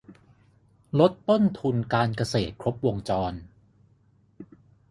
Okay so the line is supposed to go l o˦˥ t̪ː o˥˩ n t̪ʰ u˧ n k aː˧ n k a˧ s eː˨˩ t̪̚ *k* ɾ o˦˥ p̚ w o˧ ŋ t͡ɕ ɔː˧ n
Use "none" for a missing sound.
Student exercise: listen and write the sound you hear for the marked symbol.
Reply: kʰ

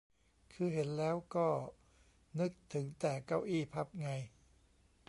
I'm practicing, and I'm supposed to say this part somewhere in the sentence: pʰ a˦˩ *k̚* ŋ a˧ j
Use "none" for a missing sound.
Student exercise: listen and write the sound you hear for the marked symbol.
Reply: p̚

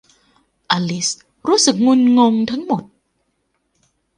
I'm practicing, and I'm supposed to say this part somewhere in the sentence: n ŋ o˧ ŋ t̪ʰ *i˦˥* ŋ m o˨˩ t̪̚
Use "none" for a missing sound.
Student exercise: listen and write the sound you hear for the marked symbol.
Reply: a˦˥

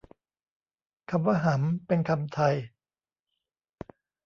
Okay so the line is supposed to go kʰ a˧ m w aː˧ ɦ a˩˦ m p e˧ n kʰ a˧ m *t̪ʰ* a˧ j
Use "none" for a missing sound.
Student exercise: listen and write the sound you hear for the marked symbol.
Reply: t̪ʰ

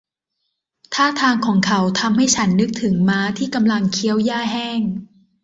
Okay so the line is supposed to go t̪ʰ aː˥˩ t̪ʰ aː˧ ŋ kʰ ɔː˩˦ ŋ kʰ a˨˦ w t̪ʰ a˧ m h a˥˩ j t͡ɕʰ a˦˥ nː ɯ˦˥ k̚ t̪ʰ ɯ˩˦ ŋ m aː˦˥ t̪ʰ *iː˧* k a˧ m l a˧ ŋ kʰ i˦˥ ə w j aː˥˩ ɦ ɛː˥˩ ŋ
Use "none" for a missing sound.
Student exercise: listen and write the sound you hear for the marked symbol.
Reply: iː˥˩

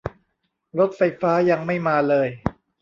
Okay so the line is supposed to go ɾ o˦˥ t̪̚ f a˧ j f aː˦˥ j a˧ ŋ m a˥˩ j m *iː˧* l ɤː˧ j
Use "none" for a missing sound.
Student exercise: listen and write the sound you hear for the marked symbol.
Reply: aː˧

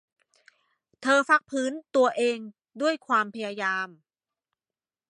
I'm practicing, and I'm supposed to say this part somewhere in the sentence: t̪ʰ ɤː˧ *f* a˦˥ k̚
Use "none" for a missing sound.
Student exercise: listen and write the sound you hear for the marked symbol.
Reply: f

